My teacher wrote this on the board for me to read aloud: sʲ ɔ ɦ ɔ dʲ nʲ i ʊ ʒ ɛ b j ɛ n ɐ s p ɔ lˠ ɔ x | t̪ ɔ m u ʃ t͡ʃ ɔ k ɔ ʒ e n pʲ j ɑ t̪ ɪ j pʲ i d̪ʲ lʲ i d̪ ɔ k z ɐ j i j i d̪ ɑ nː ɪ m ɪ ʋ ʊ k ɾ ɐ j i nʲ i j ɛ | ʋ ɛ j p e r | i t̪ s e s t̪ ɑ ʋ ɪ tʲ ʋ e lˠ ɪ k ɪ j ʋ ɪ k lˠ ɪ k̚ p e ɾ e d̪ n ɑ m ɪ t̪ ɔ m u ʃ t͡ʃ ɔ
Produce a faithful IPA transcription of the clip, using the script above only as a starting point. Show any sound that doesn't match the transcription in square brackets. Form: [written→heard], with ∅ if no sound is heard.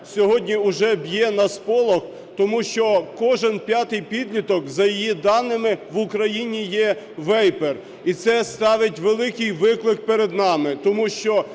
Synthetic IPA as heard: sʲ ɔ ɦ ɔ dʲ nʲ i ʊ ʒ ɛ b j ɛ n ɐ s p ɔ lˠ ɔ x | t̪ ɔ m u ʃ t͡ʃ ɔ k ɔ ʒ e n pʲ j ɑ t̪ ɪ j pʲ i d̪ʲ lʲ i [d̪→t̪] ɔ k z ɐ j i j i d̪ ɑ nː ɪ m ɪ ʋ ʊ k ɾ ɐ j i nʲ i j ɛ | ʋ ɛ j p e r | i t̪ s [e→ɛ] s t̪ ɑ ʋ ɪ tʲ ʋ e lˠ ɪ k ɪ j ʋ ɪ k lˠ ɪ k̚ p e ɾ e d̪ n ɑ m ɪ t̪ ɔ m u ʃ t͡ʃ ɔ

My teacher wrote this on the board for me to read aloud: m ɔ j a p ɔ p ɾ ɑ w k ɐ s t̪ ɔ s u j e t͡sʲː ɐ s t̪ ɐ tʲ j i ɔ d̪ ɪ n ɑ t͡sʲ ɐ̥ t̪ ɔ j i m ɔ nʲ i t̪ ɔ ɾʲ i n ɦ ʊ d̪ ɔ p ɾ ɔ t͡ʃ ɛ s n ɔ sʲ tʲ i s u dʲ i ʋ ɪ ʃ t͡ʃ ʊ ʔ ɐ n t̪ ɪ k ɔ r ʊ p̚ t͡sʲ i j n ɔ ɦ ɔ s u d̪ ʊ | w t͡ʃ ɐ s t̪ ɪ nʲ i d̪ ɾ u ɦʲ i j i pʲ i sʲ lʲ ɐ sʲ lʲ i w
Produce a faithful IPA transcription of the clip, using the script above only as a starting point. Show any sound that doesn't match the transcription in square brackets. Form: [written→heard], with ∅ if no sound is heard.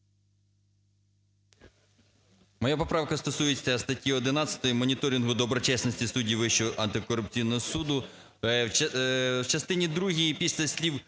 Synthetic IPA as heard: m ɔ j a p ɔ p ɾ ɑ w k ɐ s t̪ ɔ s u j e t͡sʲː ɐ s t̪ ɐ tʲ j i ɔ d̪ ɪ n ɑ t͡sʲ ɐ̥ t̪ ɔ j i m ɔ nʲ i t̪ ɔ ɾʲ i n ɦ ʊ d̪ ɔ [p→b] ɾ ɔ t͡ʃ ɛ s n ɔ sʲ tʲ i s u dʲ i ʋ ɪ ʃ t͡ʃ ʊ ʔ ɐ n t̪ ɪ k ɔ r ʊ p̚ t͡sʲ i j n ɔ ɦ ɔ s u d̪ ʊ | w t͡ʃ ɐ s t̪ ɪ nʲ i d̪ ɾ u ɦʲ i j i pʲ i sʲ lʲ ɐ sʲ lʲ i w

